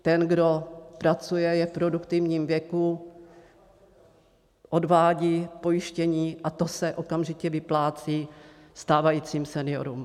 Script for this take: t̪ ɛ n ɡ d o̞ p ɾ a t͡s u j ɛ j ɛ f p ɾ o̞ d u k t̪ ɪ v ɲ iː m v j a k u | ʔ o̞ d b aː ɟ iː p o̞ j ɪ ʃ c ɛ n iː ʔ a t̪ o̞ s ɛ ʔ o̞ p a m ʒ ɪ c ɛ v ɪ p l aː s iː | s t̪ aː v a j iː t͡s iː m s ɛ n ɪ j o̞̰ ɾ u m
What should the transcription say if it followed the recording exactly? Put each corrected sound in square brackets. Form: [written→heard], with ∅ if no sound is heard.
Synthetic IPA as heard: t̪ ɛ n ɡ d o̞ p ɾ a t͡s u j ɛ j ɛ f p ɾ o̞ d u k t̪ ɪ v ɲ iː m v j [a→ɛ] k u | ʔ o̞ d [b→v] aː ɟ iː p o̞ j ɪ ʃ c ɛ [n→ɲ] iː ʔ a t̪ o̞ s ɛ ʔ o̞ [p→k] a m ʒ ɪ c ɛ v ɪ p l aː [s→t͡s] iː | s t̪ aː v a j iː t͡s iː m s ɛ n ɪ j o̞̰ ɾ u m